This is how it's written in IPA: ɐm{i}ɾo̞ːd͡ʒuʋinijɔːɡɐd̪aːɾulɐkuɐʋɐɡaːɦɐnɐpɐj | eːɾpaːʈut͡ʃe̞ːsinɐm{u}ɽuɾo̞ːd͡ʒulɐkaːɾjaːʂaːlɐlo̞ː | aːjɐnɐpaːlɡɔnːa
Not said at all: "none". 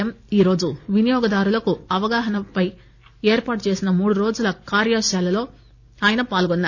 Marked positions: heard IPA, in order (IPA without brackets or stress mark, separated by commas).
iː, uː